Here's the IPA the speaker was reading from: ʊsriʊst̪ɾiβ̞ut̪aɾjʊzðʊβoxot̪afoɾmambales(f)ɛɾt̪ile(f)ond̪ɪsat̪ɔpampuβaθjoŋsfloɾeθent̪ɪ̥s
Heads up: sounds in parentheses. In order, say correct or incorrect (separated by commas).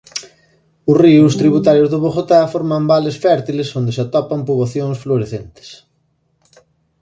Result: correct, incorrect